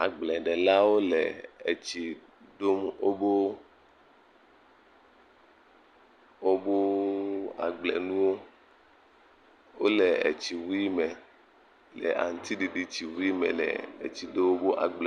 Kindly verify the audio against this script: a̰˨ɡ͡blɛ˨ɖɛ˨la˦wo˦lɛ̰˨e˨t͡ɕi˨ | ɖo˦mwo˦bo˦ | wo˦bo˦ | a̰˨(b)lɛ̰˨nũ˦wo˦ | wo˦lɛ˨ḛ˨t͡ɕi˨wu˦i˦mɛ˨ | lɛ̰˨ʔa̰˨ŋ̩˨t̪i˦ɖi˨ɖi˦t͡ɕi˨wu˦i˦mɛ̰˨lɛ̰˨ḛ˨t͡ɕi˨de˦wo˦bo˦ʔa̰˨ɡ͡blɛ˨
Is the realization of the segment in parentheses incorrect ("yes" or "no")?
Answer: yes